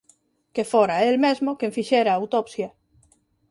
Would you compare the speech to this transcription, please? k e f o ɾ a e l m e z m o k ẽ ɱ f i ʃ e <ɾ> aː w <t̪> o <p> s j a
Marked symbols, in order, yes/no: yes, yes, yes

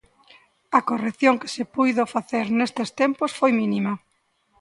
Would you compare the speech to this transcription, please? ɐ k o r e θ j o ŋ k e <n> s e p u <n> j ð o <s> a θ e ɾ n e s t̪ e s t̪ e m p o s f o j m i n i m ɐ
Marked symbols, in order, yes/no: no, no, no

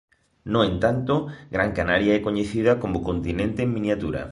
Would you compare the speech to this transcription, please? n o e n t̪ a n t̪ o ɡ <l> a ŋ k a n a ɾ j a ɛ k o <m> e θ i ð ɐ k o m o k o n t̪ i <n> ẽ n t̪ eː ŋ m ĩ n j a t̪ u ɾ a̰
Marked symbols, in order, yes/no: no, no, yes

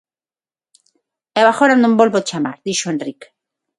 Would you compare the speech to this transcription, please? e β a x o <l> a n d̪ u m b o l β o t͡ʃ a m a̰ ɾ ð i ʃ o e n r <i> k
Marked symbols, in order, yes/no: no, yes

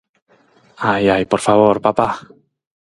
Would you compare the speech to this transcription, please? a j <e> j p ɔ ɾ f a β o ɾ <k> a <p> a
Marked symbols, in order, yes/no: no, no, yes

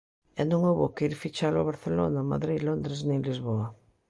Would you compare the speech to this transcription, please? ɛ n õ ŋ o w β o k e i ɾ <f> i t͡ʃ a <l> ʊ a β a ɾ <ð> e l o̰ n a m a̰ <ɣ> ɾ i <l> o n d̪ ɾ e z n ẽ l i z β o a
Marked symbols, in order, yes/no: yes, yes, no, no, yes

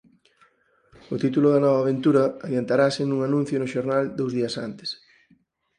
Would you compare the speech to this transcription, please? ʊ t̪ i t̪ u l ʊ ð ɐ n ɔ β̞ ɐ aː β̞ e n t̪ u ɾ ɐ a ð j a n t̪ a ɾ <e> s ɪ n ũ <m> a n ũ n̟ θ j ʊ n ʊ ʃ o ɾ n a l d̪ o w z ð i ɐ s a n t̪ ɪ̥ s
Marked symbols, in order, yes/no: no, no

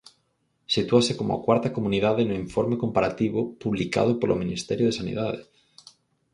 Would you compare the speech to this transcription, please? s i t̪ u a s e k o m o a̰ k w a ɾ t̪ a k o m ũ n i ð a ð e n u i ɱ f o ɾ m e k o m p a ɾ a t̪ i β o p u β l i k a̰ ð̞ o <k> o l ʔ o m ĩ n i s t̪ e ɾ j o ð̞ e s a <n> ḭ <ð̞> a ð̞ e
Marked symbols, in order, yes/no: no, yes, yes

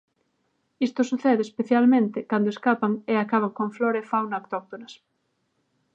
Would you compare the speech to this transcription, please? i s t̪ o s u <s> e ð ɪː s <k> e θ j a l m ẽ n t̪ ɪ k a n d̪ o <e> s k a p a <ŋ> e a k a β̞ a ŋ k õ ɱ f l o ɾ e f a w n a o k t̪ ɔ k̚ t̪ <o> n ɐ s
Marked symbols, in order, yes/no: no, no, yes, yes, yes

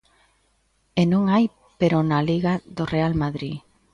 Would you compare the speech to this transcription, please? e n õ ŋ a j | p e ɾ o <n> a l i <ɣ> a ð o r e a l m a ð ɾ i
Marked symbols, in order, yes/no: yes, yes

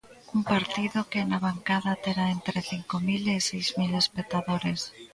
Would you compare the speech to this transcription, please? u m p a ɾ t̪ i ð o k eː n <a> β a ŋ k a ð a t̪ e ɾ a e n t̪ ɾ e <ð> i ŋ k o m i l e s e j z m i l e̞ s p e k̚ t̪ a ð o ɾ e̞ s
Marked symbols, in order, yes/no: yes, no

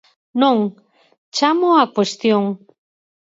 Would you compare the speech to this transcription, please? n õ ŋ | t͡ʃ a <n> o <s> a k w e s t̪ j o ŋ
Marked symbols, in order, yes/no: no, no

